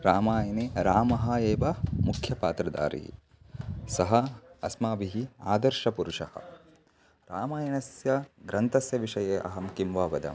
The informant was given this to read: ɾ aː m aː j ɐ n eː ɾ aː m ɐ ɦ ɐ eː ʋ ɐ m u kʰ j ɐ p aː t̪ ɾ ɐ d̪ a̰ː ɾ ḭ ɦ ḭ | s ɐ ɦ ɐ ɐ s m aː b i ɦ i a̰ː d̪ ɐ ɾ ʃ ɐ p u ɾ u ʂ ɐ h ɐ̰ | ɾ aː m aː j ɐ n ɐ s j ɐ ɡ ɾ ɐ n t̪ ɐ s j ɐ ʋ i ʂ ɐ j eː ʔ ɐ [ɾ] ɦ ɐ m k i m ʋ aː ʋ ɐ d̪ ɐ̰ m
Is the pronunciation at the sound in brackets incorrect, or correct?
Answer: incorrect